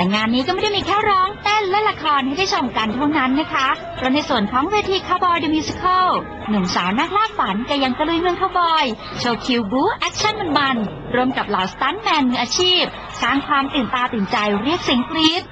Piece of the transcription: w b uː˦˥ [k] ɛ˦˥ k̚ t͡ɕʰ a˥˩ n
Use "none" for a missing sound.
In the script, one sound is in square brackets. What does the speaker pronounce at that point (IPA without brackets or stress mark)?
ʔ